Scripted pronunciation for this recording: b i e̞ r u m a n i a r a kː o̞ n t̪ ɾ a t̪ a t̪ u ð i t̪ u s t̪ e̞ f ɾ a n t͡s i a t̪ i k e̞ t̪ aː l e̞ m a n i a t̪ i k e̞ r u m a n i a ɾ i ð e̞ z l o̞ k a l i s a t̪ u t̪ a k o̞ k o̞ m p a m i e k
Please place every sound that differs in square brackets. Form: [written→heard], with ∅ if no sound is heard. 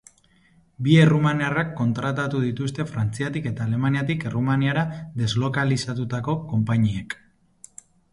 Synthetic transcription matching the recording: b i e̞ r u m a n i a r a kː o̞ n t̪ ɾ a t̪ a t̪ u ð i t̪ u s t̪ e̞ f ɾ a n t͡s i a t̪ i k e̞ t̪ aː l e̞ m a n i a t̪ i k e̞ r u m a n i a ɾ [i→a] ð e̞ z l o̞ k a l i s a t̪ u t̪ a k o̞ k o̞ m p a [m→ɲ] i e k